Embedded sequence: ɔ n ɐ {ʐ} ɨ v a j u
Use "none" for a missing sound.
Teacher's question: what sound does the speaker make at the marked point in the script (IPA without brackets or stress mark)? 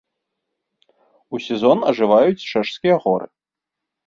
ʐ